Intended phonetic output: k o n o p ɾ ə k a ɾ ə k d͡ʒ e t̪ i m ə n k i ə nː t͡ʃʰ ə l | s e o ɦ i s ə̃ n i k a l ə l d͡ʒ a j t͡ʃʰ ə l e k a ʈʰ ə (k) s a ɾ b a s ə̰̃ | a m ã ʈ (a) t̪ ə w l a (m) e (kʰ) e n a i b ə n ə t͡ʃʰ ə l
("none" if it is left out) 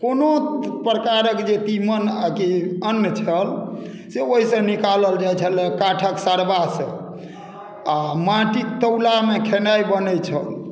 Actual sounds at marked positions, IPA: k, i, m, kʰ

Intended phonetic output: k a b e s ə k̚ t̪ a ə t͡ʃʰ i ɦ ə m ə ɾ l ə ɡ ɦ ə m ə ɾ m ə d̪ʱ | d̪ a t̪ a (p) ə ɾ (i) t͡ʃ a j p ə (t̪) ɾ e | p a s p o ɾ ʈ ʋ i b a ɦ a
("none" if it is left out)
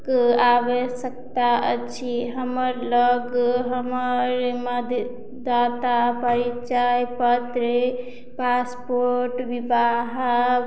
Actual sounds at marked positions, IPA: p, i, t̪

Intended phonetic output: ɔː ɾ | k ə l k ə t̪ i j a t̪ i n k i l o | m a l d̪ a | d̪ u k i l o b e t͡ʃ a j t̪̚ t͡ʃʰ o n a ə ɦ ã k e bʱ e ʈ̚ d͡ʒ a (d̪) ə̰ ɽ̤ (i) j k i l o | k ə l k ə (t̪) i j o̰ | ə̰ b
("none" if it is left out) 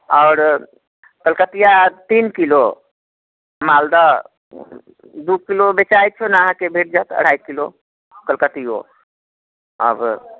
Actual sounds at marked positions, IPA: t̪, a, t̪

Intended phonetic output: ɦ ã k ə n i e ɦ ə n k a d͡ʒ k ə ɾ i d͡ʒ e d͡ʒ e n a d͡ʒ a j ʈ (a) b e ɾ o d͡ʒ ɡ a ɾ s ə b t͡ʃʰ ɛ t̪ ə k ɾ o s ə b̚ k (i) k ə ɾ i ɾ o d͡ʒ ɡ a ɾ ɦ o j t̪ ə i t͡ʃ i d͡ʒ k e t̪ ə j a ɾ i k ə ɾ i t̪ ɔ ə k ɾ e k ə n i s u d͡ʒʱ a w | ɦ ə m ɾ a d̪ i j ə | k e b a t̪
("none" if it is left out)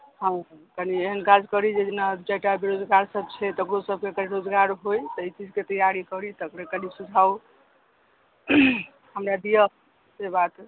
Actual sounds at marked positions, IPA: a, e

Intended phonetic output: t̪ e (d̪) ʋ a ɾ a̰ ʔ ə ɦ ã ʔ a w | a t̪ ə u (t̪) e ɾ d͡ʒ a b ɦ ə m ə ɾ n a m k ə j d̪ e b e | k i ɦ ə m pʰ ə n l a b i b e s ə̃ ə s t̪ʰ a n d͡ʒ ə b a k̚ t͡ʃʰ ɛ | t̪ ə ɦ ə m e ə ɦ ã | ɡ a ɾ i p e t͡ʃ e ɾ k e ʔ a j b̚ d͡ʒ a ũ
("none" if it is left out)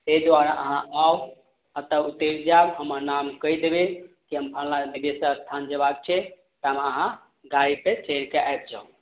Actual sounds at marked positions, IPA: d̪, t̪

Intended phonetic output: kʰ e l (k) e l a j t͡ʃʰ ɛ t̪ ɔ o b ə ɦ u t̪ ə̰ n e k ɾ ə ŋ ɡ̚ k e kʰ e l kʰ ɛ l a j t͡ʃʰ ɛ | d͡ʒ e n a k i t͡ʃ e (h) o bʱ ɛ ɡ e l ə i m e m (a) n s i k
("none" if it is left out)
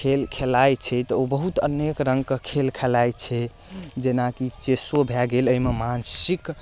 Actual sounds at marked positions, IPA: kʰ, s, a

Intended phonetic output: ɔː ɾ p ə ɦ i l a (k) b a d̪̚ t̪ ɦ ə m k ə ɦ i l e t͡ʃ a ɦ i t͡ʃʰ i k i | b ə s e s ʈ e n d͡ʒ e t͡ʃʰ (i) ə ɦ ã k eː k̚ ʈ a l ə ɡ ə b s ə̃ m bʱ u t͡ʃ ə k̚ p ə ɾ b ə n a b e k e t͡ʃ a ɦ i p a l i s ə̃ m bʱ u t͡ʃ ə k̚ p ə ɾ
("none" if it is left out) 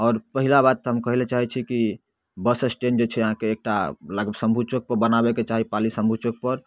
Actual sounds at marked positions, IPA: none, ɛ

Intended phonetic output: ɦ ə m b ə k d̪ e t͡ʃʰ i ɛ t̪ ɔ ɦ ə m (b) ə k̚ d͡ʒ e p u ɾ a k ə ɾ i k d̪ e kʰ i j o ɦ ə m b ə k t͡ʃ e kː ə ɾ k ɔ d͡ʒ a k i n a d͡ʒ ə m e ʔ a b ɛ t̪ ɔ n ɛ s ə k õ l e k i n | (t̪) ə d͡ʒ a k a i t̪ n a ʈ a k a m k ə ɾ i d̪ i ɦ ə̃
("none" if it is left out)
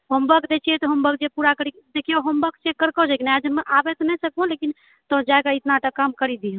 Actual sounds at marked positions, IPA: b, t̪

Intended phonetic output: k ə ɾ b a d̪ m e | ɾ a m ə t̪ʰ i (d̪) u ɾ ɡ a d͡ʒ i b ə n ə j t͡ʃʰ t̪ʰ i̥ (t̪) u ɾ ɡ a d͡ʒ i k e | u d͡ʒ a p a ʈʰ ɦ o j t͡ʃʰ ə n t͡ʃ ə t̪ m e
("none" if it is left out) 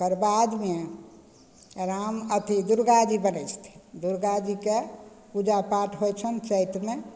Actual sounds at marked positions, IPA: d̪, d̪

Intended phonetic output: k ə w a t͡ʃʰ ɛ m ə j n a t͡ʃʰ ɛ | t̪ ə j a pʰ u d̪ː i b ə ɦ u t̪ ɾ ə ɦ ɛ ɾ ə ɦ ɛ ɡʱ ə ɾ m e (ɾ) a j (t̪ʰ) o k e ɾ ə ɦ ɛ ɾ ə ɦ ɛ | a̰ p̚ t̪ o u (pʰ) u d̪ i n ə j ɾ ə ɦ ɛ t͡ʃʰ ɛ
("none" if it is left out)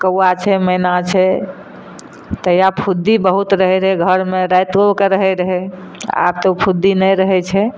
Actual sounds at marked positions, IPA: ɾ, t̪, pʰ

